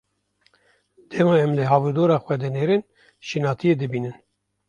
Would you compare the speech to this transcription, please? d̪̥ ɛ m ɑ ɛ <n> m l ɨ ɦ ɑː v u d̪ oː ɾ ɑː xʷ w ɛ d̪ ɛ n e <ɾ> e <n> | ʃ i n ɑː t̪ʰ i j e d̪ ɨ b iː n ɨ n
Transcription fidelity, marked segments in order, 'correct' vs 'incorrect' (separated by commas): incorrect, correct, correct